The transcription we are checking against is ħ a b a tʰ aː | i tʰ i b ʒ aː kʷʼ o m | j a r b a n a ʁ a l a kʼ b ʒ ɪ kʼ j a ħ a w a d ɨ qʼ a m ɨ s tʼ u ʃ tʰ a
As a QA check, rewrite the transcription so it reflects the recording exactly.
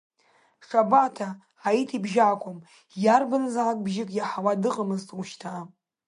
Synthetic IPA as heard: ʂ a b a tʰ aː | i tʰ i b ʒ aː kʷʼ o m | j a r b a n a z a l a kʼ b ʒ ɪ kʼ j a ħ a w a d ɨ qʼ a m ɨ z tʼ u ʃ tʰ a